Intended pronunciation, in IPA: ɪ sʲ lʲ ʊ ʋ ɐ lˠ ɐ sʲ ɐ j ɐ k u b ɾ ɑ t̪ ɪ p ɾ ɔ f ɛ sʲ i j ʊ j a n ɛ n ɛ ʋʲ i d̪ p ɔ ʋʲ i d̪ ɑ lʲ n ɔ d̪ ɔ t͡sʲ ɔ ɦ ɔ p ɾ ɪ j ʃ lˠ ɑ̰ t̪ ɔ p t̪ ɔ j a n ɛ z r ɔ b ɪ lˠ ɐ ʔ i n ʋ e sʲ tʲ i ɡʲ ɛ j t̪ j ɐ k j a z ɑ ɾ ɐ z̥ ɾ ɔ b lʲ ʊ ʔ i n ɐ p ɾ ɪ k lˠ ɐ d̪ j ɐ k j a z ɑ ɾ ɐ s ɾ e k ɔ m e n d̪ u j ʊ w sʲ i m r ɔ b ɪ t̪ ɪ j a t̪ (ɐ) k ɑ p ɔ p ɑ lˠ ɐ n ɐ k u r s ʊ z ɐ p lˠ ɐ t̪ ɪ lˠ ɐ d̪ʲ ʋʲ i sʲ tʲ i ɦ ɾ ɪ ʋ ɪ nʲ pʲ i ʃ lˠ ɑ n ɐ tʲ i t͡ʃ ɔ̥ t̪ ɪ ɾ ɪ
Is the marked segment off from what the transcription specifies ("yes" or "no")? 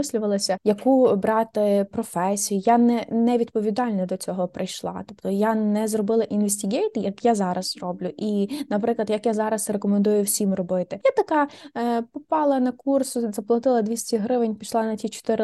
no